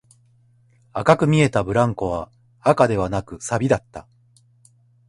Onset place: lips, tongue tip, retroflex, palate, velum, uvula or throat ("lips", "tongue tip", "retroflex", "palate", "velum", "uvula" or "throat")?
velum